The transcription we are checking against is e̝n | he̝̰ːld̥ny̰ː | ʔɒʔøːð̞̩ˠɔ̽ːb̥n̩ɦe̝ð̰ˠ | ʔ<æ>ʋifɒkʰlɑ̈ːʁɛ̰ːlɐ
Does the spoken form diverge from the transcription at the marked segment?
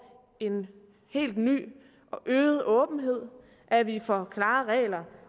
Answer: no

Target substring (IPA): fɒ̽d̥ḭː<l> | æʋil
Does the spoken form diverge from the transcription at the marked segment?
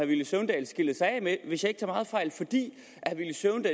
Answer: yes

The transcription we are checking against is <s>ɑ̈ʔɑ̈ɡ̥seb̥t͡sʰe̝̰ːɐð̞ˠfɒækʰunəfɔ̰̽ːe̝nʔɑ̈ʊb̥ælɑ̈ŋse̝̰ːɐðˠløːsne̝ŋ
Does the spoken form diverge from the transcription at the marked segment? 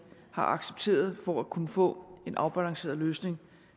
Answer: yes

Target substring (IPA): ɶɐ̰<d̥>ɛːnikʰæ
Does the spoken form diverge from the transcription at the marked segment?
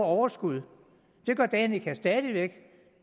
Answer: no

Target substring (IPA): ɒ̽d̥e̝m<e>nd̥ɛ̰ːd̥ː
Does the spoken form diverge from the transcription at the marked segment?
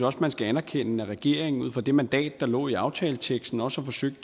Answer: yes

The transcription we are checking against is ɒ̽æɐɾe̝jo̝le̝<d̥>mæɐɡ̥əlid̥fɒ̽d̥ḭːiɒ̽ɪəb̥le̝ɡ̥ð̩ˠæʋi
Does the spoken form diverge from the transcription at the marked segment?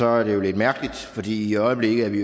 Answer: no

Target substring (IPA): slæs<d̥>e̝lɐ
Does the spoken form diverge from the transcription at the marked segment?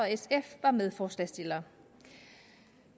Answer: no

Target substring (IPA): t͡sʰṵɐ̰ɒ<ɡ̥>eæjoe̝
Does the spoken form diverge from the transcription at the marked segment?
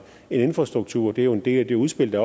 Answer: yes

